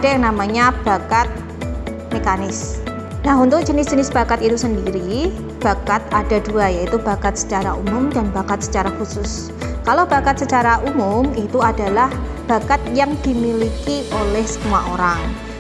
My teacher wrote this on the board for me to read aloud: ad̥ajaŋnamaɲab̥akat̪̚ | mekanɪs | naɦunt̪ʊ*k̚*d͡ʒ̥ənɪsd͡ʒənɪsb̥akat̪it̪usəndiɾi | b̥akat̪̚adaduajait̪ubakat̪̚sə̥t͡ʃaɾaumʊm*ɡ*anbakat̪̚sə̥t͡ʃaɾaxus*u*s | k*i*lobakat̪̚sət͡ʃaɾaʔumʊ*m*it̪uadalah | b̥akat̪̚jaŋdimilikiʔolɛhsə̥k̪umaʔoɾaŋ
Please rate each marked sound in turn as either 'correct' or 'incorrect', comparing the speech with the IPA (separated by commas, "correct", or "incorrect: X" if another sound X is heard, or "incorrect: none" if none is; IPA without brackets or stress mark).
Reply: correct, incorrect: d, incorrect: ʊ, incorrect: a, correct